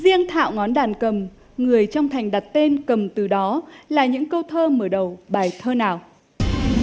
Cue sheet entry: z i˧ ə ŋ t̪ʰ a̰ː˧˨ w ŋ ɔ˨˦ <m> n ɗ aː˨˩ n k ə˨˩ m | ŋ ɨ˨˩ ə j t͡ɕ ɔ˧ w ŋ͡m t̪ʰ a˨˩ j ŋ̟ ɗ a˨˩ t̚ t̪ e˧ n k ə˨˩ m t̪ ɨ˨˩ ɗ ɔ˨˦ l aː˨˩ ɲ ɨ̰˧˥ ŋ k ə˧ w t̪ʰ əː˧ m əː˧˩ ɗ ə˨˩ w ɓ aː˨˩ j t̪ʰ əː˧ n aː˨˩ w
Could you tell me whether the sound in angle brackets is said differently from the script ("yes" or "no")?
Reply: yes